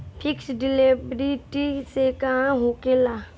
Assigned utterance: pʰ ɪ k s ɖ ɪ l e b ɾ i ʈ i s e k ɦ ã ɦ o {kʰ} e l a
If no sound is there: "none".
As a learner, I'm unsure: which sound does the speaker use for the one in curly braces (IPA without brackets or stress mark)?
k